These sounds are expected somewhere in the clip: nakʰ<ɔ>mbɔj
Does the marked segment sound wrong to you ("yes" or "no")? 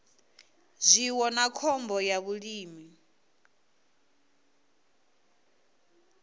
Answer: no